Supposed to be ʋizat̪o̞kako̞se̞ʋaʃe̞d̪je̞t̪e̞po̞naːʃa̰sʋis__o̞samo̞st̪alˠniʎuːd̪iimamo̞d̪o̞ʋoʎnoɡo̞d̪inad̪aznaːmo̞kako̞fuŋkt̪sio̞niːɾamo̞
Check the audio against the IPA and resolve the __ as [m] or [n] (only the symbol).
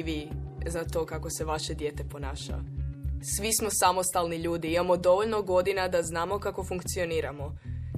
m